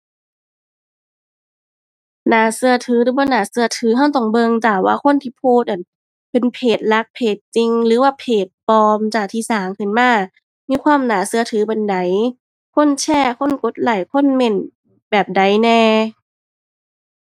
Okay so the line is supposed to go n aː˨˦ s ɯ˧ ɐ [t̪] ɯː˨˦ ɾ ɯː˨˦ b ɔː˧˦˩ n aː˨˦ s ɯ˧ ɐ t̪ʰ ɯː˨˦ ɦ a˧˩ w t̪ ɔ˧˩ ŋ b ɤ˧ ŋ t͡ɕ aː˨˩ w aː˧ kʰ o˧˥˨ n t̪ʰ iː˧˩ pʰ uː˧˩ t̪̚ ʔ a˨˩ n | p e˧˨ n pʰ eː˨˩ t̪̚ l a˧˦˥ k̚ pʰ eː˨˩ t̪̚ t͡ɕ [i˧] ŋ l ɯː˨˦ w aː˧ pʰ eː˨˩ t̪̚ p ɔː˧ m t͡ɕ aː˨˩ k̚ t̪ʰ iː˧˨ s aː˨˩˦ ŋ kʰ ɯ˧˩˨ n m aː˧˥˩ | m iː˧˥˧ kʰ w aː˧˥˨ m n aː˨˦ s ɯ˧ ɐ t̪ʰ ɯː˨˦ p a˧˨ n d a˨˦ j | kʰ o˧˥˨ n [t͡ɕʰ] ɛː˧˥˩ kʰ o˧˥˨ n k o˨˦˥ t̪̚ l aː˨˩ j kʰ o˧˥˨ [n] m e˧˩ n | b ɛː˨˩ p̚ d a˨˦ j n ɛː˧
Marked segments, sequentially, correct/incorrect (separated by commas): incorrect, correct, correct, correct